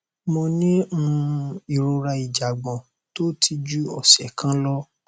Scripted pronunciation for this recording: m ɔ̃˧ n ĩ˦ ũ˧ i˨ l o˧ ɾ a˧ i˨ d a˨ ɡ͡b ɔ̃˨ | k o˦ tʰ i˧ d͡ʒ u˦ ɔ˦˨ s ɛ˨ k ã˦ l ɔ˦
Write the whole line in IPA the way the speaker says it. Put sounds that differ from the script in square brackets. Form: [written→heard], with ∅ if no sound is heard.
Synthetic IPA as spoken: m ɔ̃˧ n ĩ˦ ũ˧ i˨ [l→ɾ] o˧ ɾ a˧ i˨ [d→d͡ʒ] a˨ ɡ͡b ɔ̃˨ | [k→t] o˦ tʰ i˧ d͡ʒ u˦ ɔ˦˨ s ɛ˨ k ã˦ l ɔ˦